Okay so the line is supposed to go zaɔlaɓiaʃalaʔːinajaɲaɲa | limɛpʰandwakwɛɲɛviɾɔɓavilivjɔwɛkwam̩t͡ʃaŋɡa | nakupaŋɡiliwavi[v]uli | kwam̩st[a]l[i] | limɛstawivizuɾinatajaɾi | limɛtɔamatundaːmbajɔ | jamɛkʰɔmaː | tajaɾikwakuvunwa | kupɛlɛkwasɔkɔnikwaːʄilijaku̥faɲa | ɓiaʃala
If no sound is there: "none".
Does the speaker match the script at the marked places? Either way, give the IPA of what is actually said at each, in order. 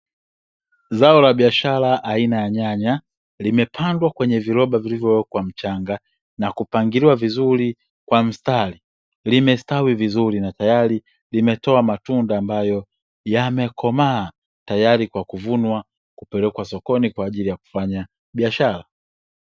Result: z, a, i

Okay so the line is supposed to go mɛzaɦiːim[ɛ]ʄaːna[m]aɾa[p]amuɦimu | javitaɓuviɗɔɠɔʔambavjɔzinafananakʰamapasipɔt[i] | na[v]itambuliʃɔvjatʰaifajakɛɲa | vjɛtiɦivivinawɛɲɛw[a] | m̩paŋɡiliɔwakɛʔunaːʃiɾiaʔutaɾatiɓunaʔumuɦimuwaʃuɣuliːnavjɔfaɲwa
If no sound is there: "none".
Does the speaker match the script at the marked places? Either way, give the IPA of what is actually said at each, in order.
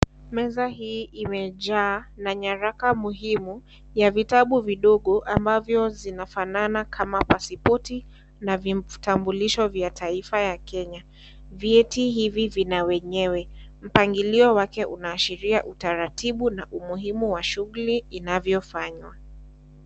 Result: ɛ, ɲ, k, i, v, ɛ

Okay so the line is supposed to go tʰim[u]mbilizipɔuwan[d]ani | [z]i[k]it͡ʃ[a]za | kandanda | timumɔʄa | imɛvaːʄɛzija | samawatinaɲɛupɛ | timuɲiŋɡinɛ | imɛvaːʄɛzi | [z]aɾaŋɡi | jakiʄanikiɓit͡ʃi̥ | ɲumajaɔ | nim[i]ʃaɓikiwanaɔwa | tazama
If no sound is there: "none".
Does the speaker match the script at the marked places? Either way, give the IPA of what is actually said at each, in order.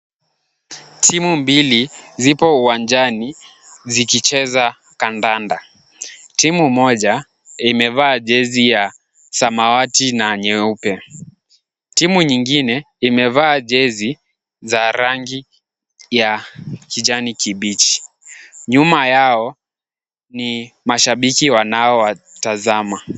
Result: u, d͡ʒ, z, k, ɛ, z, a

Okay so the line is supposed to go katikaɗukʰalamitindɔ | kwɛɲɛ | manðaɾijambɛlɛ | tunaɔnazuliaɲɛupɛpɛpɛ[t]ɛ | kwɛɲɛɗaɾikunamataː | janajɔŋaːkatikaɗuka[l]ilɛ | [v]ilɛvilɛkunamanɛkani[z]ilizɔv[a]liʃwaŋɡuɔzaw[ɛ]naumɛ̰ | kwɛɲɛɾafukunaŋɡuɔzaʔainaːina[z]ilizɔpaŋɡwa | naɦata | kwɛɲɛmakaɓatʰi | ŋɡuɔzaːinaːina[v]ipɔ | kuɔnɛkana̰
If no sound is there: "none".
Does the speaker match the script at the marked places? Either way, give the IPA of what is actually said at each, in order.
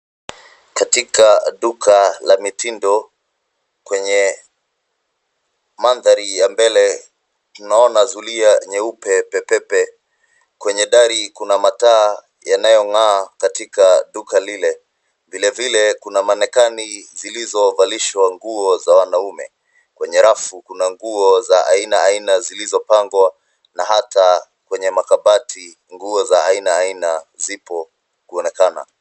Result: p, l, v, z, a, a, z, z

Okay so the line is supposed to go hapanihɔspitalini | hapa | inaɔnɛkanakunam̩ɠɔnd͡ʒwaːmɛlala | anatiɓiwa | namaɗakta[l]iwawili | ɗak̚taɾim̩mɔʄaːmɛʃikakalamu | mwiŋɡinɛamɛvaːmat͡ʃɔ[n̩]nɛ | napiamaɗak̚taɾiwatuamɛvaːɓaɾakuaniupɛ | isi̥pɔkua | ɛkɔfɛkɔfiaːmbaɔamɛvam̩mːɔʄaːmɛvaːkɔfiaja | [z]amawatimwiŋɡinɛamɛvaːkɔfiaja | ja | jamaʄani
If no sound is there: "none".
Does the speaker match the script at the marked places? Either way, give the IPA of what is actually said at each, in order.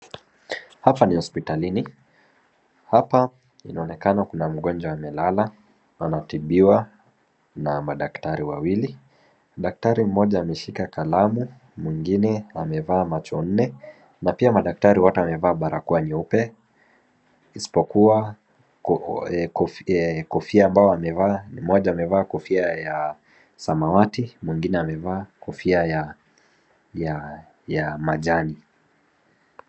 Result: ɾ, n̩, s

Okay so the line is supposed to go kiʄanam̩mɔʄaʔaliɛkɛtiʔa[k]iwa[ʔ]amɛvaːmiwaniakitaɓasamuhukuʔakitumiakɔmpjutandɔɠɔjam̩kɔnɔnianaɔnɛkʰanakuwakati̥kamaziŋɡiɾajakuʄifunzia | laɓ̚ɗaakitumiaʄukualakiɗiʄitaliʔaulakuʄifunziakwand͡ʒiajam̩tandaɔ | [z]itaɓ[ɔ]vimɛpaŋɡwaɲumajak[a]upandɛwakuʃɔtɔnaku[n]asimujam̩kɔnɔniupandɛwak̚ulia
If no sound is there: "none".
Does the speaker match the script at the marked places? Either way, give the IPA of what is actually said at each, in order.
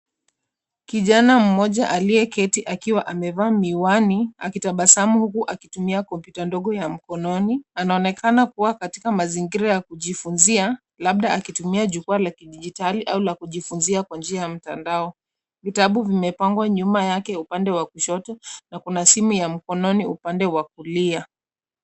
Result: k, ʔ, v, u, ɛ, n

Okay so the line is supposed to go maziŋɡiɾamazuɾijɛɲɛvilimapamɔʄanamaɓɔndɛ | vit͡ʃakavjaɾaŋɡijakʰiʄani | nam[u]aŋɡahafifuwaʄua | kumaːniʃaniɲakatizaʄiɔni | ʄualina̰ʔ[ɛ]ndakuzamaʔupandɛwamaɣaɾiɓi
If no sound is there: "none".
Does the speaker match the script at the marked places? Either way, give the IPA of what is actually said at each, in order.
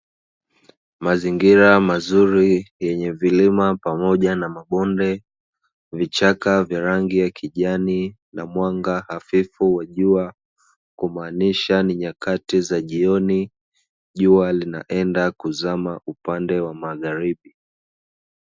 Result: w, ɛ

